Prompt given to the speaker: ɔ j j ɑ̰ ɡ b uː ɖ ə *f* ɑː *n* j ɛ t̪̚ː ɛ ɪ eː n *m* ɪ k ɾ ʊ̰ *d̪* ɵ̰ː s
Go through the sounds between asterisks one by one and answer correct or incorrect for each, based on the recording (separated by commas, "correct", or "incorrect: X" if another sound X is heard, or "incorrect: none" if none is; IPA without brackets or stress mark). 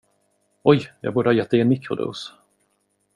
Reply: incorrect: h, incorrect: none, correct, correct